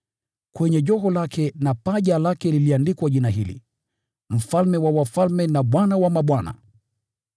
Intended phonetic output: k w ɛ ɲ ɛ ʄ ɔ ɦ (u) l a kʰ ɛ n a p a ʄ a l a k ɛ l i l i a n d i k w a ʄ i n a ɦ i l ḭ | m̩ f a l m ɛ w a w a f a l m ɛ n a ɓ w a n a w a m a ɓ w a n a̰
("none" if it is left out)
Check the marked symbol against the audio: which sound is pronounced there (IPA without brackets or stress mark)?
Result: ɔ